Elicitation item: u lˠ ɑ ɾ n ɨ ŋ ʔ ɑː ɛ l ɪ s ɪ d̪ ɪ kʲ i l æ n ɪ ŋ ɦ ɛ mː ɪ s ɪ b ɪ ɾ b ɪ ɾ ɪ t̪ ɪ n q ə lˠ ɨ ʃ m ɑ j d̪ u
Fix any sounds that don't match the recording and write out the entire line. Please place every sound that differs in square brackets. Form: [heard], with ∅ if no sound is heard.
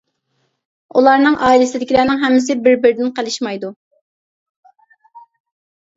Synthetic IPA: u lˠ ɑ ɾ n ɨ ŋ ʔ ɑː [i] l ɪ s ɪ d̪ ɪ kʲ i l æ n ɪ ŋ ɦ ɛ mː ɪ s ɪ b ɪ ɾ b ɪ ɾ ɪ [d̪] ɪ n q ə lˠ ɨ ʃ m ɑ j d̪ u